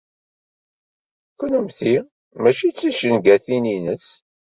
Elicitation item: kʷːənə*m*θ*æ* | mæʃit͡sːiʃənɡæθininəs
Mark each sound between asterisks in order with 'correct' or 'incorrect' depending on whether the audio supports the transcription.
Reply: correct, incorrect

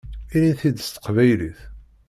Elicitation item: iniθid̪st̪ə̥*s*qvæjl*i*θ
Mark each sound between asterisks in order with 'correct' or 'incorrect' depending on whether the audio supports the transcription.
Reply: incorrect, correct

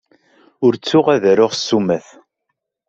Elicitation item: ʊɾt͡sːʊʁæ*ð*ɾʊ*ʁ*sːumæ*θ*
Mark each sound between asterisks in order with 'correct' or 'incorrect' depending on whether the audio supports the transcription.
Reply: correct, correct, correct

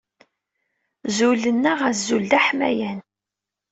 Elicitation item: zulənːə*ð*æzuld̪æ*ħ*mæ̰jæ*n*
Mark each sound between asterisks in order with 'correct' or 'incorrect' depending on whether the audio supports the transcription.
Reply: incorrect, correct, correct

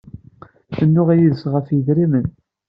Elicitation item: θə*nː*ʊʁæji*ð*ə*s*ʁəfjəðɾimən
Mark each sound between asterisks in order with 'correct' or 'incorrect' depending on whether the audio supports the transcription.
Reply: correct, correct, correct

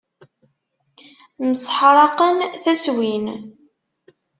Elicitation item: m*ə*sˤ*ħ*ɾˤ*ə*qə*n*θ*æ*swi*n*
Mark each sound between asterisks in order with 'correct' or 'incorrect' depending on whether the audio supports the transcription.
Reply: correct, correct, incorrect, correct, correct, correct

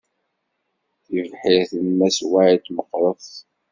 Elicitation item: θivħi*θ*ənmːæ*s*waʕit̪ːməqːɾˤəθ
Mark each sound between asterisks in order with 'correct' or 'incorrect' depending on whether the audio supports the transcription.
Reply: correct, correct

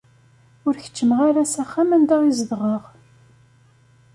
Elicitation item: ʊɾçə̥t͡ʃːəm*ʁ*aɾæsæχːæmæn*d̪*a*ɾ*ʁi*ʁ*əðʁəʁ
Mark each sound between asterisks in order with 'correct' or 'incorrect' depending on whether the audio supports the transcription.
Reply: correct, correct, incorrect, incorrect

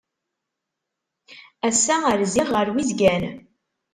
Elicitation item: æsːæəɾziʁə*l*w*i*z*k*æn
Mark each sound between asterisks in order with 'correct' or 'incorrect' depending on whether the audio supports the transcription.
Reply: incorrect, correct, incorrect

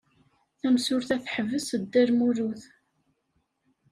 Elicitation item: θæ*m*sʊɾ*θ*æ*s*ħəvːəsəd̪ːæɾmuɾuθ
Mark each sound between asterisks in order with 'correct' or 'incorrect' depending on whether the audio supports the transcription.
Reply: correct, correct, incorrect

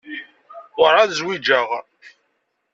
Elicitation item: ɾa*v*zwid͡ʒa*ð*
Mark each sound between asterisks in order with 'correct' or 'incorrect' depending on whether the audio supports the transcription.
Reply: incorrect, incorrect

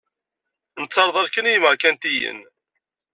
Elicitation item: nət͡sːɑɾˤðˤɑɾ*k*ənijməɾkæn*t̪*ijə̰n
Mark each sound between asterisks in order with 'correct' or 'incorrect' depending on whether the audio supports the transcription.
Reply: correct, correct

